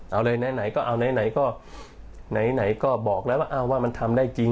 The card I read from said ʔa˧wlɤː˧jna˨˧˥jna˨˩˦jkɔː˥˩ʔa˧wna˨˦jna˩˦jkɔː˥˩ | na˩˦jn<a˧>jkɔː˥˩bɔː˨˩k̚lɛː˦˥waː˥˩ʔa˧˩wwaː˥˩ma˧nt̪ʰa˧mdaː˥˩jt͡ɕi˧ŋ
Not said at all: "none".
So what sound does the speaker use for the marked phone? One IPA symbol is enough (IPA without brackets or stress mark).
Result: a˩˦